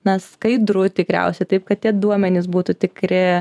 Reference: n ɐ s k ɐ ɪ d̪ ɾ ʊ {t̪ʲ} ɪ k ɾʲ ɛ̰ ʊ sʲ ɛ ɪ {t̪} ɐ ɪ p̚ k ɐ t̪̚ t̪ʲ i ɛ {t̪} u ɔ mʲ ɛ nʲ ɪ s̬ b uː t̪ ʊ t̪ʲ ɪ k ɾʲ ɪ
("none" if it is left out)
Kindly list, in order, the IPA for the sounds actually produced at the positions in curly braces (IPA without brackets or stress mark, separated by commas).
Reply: t̪ʲ, t̪, d̪